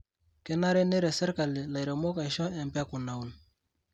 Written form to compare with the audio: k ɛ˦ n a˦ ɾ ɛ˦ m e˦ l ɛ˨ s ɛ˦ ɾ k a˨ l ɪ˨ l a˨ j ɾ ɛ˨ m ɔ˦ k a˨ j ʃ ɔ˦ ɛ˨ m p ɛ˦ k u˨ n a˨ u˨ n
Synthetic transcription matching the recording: k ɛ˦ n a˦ ɾ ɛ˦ n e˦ ɾ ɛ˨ s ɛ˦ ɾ k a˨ l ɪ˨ l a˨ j ɾ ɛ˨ m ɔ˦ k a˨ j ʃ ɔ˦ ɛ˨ m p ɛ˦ k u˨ n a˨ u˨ n